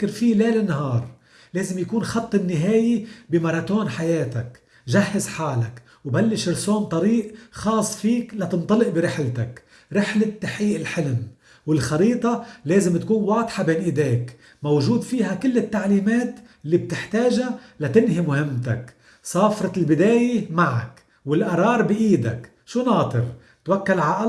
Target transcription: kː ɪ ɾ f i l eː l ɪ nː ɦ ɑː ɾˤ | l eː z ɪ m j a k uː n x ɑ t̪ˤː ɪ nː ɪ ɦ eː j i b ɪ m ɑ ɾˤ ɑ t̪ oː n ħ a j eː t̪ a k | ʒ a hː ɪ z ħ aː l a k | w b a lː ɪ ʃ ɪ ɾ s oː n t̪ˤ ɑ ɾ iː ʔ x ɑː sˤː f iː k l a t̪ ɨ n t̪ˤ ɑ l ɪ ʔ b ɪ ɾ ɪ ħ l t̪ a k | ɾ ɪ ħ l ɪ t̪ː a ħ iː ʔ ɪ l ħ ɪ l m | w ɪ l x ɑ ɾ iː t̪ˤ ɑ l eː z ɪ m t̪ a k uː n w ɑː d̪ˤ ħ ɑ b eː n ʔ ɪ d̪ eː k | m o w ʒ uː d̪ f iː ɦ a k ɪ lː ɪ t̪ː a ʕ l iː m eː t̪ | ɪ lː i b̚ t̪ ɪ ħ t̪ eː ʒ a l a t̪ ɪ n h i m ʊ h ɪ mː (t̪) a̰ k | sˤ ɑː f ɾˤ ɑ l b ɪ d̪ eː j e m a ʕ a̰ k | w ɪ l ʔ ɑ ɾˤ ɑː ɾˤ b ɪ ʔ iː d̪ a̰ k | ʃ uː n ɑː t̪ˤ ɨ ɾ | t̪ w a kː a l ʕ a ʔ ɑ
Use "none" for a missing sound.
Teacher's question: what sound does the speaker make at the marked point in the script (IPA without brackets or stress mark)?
t̪